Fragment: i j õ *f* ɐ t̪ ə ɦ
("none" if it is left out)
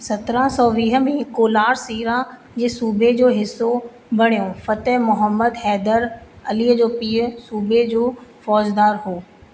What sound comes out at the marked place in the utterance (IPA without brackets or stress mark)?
f